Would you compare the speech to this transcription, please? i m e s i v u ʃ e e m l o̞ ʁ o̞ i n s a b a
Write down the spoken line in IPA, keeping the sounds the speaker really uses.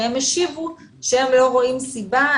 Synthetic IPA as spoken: e m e ʃ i v u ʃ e e m l o̞ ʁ o̞ i m s i b a